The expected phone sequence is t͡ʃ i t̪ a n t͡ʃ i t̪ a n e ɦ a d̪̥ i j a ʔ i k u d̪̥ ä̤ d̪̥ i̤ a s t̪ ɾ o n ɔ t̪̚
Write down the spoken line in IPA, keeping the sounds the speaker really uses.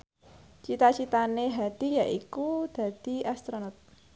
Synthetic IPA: t͡ʃ i t̪ a t͡ʃ i t̪ a n e ɦ a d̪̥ i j a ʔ i k u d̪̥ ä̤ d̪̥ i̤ a s t̪ ɾ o n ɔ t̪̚